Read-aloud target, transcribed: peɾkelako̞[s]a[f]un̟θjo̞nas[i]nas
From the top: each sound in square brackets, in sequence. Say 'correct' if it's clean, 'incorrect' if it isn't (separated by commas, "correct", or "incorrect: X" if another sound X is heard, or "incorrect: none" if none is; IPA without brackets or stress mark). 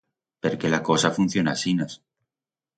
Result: correct, correct, correct